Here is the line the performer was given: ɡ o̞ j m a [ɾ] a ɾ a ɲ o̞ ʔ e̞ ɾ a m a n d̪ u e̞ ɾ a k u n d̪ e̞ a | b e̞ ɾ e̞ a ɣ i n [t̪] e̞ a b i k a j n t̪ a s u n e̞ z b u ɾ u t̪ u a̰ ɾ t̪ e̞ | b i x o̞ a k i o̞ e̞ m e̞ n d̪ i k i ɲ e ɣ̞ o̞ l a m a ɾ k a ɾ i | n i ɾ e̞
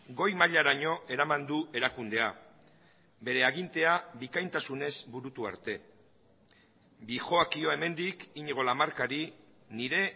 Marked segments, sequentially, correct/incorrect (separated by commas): incorrect, correct